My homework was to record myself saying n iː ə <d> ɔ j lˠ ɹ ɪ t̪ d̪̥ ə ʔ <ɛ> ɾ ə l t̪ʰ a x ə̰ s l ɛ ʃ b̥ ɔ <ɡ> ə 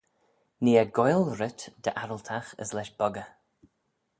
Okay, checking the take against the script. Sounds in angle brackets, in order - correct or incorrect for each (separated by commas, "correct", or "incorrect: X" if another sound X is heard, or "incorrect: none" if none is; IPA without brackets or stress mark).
incorrect: ɡ, incorrect: a, correct